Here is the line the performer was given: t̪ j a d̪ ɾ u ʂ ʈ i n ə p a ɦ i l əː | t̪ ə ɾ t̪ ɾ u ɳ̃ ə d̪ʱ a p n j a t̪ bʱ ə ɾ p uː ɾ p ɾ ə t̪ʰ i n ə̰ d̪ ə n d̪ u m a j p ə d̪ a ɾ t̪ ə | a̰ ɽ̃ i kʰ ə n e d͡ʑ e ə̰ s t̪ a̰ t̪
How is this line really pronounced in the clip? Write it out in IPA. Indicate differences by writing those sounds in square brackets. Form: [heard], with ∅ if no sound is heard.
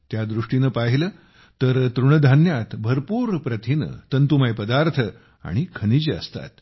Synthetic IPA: t̪ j a d̪ ɾ u ʂ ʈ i n ə p a ɦ i l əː | t̪ ə ɾ t̪ ɾ u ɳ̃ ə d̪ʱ a [∅] n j a t̪ bʱ ə ɾ p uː ɾ p ɾ ə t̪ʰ i n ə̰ [t̪] ə n [t̪] u m a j p ə d̪ a ɾ [t̪ʰ] ə | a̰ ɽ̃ i kʰ ə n [i] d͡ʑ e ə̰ s t̪ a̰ t̪